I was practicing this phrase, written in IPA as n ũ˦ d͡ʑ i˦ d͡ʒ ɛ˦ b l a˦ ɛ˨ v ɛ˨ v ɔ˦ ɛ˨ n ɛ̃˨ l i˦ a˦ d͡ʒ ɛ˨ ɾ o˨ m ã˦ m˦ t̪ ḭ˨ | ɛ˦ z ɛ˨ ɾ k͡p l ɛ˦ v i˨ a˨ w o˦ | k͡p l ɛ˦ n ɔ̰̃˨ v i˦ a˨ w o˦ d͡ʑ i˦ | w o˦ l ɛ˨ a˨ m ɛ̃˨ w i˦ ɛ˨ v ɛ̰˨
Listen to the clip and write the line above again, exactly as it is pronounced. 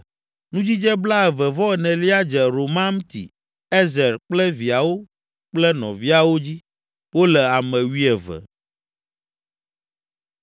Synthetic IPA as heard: n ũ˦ d͡ʑ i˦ d͡ʒ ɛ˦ b l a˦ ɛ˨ v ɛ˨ v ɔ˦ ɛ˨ n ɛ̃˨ l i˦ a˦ d͡ʒ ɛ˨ ɾ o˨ m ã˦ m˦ t̪ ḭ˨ | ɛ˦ z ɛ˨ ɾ k͡p l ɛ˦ v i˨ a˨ w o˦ | k͡p l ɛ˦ n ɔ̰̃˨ v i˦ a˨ w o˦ d͡ʑ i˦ | w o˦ l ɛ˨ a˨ m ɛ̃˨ w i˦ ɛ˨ v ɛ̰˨